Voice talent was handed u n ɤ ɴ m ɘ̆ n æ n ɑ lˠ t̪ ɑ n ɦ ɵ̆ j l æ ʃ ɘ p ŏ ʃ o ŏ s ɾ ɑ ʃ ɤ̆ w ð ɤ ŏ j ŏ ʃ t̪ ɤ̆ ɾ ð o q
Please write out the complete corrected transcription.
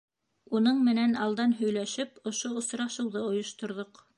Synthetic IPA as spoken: u n ɤ ɴ m ɘ̆ n æ n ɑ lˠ d̪ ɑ n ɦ ɵ̆ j l æ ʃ ɘ p ŏ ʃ o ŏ s ɾ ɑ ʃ ɤ̆ w ð ɤ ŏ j ŏ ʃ t̪ ŏ ɾ ð o q